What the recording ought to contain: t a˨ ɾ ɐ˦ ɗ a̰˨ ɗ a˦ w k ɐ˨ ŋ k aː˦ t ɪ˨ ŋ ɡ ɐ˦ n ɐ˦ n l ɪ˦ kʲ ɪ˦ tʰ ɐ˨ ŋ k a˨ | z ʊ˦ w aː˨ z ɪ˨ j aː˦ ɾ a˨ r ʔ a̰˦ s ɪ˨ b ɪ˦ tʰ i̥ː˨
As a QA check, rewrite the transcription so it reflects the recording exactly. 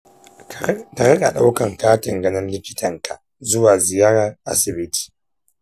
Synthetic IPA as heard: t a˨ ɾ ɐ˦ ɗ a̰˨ ɗ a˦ w k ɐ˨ ŋ k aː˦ t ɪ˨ ŋ ɡ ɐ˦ n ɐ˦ n l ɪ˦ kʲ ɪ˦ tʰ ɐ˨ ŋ k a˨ | z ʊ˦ w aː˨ z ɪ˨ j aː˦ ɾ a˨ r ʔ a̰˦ s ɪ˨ b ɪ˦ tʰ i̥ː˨